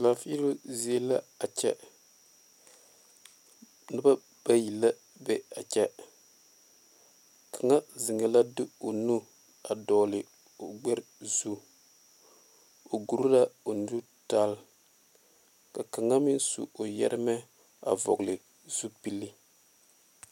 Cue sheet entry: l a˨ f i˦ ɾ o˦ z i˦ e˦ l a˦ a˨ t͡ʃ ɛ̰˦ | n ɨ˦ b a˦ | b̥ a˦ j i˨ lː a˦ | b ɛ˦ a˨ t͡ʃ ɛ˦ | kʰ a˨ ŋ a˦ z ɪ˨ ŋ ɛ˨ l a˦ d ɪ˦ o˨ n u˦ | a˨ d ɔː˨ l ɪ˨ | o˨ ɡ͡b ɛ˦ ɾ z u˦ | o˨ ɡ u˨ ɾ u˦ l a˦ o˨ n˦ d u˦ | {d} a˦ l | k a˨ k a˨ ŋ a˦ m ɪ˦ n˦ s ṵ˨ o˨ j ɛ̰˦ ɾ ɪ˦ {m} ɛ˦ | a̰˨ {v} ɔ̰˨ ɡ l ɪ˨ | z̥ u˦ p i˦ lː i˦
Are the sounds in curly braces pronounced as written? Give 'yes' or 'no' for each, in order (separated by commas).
no, yes, yes